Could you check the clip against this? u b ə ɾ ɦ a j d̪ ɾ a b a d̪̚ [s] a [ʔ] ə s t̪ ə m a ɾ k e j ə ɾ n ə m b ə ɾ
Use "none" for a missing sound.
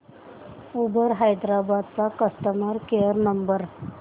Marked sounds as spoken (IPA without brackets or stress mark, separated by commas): t͡s, k